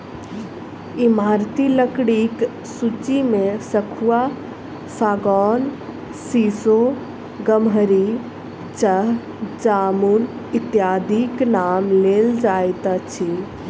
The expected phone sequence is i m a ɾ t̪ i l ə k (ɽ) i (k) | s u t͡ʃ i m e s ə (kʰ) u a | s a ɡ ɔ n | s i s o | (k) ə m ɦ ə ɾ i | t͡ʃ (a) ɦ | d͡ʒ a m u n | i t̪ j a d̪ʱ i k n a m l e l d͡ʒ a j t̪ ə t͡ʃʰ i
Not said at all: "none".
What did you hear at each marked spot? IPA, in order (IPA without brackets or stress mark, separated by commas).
ɽ, k, kʰ, ɡ, ə